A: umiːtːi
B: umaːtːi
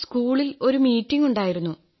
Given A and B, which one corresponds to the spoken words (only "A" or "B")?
A